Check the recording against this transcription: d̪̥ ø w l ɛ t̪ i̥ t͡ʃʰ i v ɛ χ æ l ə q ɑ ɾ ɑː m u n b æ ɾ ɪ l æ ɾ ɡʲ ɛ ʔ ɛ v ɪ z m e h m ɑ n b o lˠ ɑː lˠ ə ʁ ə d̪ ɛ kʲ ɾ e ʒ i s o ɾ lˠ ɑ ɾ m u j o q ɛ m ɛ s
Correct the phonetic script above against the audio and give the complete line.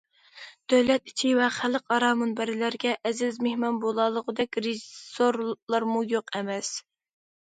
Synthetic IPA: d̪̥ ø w l ɛ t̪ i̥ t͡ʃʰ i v ɛ χ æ l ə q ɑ ɾ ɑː m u n b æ ɾ ɪ l æ ɾ ɡʲ ɛ ʔ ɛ z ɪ z m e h m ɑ n b o lˠ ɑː lˠ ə ʁ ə d̪ ɛ kʲ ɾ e ʒ i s o ɾ lˠ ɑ ɾ m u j o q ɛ m ɛ s